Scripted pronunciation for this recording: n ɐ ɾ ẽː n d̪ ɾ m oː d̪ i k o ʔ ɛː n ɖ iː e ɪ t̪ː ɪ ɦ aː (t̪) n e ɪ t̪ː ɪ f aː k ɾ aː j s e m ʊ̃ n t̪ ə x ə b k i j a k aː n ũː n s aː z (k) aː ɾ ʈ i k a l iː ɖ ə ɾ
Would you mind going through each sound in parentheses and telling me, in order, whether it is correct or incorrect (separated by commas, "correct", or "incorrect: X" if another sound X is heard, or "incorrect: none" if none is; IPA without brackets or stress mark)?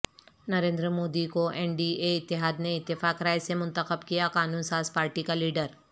incorrect: d̪, incorrect: p